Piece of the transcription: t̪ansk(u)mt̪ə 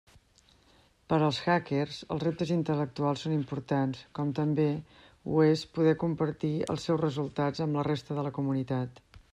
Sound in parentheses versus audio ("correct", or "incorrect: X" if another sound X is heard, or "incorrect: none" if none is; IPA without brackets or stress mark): incorrect: ɔ